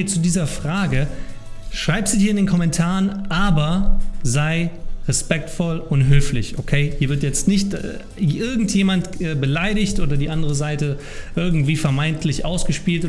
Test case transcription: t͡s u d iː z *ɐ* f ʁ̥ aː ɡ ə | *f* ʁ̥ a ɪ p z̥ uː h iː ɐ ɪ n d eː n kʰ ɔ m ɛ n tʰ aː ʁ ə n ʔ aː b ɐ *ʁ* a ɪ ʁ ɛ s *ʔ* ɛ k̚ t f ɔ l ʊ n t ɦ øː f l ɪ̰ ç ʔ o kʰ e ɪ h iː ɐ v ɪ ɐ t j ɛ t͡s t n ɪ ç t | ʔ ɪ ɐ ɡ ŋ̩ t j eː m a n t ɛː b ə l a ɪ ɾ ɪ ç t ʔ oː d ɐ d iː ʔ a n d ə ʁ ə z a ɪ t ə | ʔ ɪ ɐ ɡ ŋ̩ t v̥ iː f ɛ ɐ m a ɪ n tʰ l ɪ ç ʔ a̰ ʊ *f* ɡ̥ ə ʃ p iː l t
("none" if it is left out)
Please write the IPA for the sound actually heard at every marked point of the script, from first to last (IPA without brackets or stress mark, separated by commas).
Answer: ɐ, ʃ, z, p, s